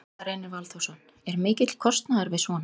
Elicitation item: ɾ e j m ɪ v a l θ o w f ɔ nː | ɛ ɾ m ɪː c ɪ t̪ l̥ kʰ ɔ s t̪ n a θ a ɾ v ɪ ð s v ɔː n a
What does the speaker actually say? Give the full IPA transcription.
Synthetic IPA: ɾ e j n ɪ v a l θ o w s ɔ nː | ɛ ɾ m ɪː c ɪ t̪ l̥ kʰ ɔ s t̪ n a ð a ɾ v ɪ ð s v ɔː n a

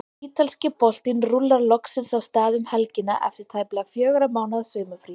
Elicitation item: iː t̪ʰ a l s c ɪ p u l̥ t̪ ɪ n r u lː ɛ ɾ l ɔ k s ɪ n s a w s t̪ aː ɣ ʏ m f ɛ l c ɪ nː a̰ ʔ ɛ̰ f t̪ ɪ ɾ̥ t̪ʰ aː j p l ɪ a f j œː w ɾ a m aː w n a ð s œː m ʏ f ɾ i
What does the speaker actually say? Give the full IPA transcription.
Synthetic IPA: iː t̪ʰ a l s c ɪ p ɔ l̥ t̪ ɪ n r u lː a ɾ l ɔ k s ɪ n s a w s t̪ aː ð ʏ m h ɛ l c ɪ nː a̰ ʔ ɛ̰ f t̪ ɪ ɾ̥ t̪ʰ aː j p l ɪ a f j œː ɣ ɾ a m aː w n a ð s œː m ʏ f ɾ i

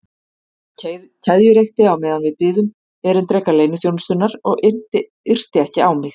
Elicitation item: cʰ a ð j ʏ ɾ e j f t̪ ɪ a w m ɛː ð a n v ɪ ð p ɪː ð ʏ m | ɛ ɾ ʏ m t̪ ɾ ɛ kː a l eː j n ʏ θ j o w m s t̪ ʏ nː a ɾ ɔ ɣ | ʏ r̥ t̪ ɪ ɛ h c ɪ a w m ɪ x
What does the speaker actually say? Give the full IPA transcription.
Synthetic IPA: cʰ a ð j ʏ ɾ e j x t̪ ɪ a w m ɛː ð a n v ɪ ð p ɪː ð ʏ m | ɛ ɾ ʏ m t̪ ɾ ɛ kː a l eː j n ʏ θ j o w n s t̪ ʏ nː a ɾ ɔ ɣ | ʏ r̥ t̪ ɪ ɛ h c ɪ a w m ɪ x

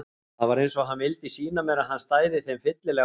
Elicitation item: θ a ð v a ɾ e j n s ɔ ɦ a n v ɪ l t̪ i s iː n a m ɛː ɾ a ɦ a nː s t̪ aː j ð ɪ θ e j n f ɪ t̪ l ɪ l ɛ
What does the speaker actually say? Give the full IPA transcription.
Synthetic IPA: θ a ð v a ɾ e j n s ɔ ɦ a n v ɪ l t̪ i s iː n a m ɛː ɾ a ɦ a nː s t̪ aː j ð ɪ θ e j m f ɪ t̪ l ɪ l ɛ

